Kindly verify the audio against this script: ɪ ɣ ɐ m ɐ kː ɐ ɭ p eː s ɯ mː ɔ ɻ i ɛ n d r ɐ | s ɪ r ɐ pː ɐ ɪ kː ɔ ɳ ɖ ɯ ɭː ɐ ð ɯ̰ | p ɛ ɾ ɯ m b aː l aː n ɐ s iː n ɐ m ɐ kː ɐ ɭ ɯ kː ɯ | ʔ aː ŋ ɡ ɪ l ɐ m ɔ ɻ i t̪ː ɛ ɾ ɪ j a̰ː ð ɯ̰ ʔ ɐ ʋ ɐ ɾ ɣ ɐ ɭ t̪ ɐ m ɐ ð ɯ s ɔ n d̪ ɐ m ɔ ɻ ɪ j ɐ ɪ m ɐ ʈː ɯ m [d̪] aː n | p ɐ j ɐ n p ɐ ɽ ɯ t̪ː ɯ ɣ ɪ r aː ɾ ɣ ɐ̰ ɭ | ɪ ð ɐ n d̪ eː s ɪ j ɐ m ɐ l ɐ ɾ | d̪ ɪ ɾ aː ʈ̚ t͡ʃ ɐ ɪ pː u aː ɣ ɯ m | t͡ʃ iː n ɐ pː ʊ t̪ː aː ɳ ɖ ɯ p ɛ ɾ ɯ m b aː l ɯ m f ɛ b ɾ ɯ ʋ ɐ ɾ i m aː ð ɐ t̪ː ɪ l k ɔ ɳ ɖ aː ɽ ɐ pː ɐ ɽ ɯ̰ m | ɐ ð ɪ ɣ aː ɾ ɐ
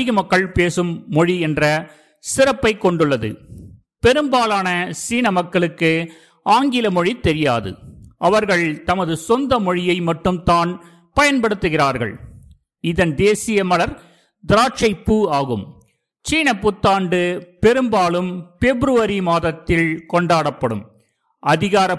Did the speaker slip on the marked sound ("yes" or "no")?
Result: yes